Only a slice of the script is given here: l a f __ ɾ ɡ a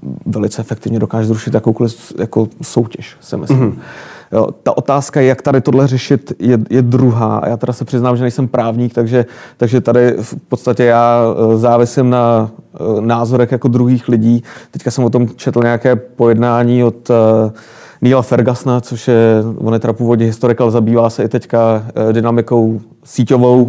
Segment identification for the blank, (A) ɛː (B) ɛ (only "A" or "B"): B